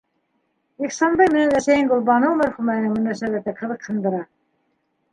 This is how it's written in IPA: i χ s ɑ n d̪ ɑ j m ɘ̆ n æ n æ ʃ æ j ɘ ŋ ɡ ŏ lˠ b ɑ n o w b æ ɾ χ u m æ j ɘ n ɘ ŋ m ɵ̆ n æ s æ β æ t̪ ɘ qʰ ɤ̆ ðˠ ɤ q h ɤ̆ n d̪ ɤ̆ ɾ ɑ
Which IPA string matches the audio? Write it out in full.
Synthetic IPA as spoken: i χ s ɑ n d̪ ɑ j m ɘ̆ n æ n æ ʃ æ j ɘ ŋ ɡ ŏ lˠ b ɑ n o w m æ ɾ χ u m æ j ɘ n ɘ ŋ m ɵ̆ n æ s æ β æ t̪ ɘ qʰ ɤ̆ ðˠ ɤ q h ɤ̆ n d̪ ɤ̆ ɾ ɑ